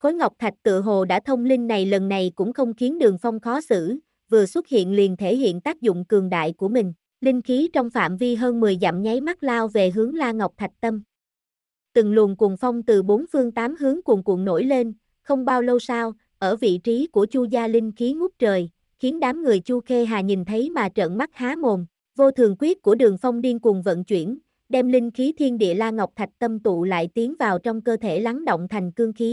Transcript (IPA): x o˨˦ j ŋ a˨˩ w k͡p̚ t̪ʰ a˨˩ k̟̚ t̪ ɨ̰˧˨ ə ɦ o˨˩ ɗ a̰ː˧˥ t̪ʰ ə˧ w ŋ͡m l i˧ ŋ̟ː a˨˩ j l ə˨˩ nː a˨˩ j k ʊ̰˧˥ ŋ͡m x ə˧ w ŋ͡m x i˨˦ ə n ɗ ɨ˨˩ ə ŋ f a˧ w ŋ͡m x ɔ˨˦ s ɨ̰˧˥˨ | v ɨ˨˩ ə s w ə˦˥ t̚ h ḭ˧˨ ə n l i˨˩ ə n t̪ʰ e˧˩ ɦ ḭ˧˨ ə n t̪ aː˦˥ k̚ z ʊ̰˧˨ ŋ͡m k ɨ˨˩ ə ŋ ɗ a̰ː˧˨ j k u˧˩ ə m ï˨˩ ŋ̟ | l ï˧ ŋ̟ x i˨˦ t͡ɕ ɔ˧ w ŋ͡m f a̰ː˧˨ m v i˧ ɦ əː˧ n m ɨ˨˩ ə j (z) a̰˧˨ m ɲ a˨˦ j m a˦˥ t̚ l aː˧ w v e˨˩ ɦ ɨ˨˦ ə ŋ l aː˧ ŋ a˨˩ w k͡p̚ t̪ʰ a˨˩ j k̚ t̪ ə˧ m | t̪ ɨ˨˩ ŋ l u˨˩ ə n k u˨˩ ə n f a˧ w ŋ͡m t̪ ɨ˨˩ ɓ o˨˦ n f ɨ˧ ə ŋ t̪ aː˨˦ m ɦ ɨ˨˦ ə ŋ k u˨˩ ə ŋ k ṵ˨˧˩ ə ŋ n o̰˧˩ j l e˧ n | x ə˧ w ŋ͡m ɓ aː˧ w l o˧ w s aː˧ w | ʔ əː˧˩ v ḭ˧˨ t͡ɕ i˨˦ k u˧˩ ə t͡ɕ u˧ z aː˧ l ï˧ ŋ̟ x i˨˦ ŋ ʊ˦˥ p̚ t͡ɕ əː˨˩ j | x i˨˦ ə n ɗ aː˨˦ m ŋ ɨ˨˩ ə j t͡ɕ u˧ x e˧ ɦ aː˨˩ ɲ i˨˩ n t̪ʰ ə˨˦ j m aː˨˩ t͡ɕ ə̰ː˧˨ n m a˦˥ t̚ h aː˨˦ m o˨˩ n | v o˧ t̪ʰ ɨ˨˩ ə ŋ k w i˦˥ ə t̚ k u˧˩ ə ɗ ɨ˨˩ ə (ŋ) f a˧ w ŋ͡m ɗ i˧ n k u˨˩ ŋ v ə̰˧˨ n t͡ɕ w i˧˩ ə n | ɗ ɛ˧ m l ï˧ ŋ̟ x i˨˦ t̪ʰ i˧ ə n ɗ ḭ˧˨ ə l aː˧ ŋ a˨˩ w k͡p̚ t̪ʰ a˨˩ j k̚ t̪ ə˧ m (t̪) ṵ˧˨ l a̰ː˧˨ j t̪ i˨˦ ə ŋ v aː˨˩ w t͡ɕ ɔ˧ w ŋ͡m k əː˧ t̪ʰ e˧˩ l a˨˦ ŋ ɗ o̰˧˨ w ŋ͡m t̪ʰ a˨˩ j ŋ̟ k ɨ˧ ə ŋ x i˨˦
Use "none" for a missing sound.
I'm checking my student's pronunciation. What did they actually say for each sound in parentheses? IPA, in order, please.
z, ŋ, t̪

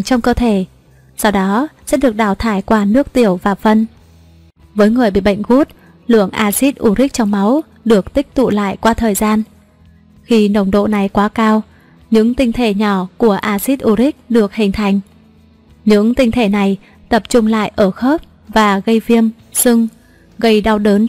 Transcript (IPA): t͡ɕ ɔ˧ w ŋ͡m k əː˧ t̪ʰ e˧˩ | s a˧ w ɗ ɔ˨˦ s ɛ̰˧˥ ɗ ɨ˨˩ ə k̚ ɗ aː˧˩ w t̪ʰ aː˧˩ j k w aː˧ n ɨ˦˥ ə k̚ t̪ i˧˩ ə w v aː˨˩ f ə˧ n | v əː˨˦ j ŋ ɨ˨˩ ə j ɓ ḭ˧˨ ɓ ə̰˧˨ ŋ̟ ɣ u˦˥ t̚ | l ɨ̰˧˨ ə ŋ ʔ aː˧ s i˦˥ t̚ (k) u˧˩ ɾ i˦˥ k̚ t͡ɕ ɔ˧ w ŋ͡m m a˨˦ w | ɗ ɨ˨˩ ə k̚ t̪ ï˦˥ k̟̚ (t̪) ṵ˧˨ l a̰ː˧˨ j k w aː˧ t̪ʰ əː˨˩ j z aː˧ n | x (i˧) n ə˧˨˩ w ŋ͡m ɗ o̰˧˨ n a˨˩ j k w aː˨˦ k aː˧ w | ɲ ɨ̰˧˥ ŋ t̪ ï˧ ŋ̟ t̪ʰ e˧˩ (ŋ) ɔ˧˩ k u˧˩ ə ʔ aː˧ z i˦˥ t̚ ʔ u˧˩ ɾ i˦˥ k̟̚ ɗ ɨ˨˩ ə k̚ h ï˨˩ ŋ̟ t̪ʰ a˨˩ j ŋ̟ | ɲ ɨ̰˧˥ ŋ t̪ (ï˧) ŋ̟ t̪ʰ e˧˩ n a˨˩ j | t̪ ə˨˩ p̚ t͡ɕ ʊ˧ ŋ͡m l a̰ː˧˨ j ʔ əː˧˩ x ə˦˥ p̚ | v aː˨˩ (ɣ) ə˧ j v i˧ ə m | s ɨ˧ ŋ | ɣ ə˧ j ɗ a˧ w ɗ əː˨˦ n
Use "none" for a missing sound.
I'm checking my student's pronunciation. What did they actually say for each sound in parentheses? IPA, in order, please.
ʔ, t̪, i˧, ɲ, ï˧, ɣ

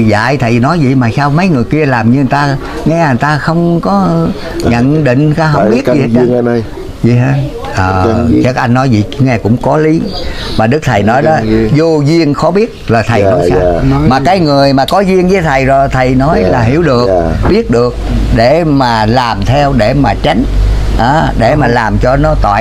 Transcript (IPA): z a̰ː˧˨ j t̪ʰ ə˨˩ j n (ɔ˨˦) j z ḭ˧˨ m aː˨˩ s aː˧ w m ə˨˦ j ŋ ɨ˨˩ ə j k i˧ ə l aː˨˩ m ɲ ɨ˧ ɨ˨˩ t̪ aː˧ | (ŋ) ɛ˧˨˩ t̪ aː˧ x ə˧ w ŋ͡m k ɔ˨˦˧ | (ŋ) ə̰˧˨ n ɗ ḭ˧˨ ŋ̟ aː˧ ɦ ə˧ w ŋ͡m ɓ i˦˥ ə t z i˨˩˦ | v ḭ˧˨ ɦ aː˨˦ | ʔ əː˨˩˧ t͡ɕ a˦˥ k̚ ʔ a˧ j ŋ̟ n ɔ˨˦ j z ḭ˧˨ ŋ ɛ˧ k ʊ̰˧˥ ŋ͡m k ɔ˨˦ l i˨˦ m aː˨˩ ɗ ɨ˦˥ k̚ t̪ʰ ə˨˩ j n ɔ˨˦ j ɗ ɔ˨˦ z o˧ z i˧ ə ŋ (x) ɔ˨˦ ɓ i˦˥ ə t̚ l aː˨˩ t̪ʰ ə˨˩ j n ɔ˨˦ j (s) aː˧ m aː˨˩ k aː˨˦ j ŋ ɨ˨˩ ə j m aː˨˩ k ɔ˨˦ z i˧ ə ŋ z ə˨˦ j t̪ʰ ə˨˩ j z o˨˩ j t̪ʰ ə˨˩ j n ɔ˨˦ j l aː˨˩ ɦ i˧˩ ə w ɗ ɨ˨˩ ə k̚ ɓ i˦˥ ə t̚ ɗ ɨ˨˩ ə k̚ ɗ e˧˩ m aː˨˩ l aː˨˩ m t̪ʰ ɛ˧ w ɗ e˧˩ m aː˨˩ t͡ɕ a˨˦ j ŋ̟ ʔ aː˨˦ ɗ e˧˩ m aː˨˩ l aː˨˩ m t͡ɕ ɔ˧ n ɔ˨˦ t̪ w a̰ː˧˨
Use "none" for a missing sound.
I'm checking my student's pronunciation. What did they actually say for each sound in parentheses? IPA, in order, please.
ɔ˨˦, ŋ, ɲ, x, s

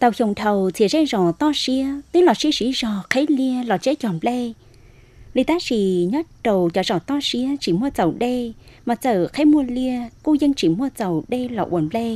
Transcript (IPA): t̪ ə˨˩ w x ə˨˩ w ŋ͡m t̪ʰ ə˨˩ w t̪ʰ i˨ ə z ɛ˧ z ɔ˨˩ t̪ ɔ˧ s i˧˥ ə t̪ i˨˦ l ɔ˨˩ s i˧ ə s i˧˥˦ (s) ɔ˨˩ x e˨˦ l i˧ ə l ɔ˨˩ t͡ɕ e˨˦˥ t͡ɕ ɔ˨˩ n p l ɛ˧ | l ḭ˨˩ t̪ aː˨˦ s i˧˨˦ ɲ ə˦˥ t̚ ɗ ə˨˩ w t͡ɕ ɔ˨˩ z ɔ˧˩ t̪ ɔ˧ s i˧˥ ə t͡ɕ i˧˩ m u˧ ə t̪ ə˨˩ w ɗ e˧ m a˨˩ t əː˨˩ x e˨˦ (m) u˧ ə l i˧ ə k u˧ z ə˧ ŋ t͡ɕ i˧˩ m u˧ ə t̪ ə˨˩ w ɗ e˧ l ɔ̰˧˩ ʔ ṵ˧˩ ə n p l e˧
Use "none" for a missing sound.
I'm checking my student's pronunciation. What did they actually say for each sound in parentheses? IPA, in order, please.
z, m

